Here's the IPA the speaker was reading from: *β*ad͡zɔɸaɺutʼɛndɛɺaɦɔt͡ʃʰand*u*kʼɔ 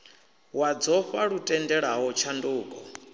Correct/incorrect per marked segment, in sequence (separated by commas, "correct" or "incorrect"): incorrect, incorrect